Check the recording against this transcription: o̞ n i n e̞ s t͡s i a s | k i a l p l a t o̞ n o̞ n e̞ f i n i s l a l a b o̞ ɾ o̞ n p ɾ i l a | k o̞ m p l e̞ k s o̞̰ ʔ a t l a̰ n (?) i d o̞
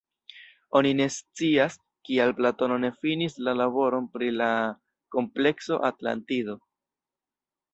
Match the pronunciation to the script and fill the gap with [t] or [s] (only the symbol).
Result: t